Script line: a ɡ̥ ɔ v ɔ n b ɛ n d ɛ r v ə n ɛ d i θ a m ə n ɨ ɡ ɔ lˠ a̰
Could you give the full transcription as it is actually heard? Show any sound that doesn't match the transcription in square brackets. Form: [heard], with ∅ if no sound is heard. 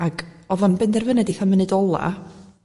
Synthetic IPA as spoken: a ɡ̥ ɔ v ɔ n b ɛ n d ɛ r v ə n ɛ d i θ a m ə n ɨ [d] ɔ lˠ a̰